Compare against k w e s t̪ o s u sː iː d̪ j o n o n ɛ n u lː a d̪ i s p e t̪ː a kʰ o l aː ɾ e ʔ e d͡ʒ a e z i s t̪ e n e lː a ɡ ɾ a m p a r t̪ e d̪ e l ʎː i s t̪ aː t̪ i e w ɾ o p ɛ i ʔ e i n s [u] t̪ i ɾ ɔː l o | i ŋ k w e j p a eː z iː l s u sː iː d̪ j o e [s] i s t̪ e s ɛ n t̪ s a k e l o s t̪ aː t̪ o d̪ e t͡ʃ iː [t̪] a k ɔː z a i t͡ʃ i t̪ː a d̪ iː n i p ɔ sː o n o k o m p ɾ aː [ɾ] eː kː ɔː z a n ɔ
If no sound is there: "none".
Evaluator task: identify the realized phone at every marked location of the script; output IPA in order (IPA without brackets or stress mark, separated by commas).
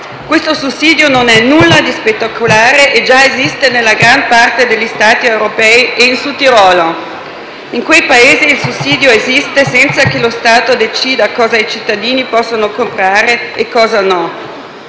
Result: u, z, d̪, ɾ